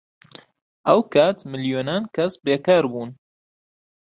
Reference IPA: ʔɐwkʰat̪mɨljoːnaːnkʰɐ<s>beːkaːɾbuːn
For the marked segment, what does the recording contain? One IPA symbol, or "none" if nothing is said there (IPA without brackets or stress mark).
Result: s